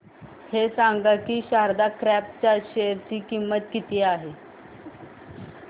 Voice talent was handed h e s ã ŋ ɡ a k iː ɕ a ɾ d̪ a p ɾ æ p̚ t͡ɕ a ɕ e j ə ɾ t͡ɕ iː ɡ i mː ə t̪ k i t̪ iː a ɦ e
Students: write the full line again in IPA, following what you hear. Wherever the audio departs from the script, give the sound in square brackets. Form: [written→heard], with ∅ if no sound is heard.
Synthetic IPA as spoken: h e s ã ŋ ɡ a k iː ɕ a ɾ d̪ a [p→k] ɾ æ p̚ t͡ɕ a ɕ e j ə ɾ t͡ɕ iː [ɡ→k] i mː ə t̪ k i t̪ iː a ɦ e